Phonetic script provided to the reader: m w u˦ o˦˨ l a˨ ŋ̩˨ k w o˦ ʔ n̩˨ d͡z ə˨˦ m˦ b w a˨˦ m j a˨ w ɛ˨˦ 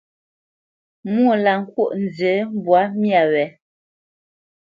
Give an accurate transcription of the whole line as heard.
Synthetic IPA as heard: m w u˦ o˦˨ l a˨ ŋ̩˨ k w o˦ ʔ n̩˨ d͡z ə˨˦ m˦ b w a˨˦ m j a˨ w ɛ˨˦